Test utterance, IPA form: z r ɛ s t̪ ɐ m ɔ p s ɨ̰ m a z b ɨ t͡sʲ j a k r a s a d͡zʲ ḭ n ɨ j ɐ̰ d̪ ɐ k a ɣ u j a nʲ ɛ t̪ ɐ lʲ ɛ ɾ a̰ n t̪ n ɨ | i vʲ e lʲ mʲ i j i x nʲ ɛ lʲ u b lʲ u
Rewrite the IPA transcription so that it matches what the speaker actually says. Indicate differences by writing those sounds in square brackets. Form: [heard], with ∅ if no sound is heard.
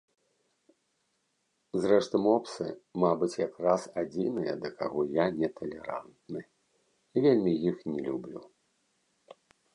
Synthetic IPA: z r ɛ [ʂ] t̪ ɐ m ɔ p s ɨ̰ m a [∅] b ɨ t͡sʲ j a k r a s a d͡zʲ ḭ n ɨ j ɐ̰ d̪ ɐ k a ɣ [ɔ] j a nʲ ɛ t̪ ɐ lʲ ɛ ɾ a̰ n t̪ n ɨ | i vʲ e lʲ mʲ i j i x nʲ ɛ lʲ u b lʲ u